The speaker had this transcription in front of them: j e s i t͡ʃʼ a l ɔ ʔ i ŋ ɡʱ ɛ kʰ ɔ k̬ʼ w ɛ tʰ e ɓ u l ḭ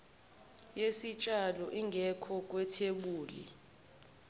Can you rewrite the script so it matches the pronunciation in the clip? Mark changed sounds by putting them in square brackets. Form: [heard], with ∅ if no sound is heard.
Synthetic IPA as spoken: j e s i t͡ʃʼ a l ɔ ʔ i ŋ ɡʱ ɛ kʰ ɔ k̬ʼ w ɛ tʰ e ɓ [uː] l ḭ